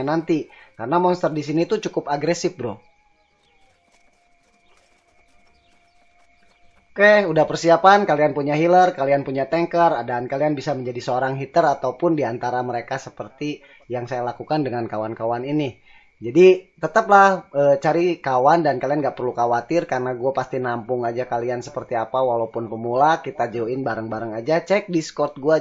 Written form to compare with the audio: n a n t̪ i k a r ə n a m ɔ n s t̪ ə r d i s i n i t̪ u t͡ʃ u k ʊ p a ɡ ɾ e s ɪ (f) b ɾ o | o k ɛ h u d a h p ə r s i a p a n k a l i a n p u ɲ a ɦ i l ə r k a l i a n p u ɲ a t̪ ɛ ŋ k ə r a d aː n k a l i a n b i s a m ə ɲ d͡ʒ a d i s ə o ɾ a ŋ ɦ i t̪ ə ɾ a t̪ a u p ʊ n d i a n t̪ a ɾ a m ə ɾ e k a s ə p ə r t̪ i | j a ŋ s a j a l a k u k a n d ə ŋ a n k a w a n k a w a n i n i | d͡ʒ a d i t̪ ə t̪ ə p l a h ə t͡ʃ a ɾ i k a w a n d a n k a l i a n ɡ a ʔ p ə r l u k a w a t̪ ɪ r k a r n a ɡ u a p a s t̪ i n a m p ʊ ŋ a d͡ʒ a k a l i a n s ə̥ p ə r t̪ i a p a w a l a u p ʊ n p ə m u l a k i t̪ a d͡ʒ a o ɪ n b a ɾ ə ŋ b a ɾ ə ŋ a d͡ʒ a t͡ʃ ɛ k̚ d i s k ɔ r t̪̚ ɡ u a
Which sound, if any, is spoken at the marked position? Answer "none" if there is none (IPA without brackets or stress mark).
f